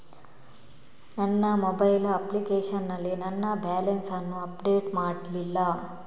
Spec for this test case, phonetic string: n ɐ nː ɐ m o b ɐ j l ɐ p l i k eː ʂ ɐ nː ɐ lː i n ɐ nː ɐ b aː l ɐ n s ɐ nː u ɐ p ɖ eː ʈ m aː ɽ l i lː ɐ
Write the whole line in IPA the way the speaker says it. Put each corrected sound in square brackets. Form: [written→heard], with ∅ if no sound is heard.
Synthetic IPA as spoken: n ɐ nː ɐ m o b ɐ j l ɐ p l i k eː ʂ ɐ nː ɐ lː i n ɐ nː ɐ b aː l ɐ n s ɐ nː u ɐ p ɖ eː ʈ m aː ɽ l i lː ɐ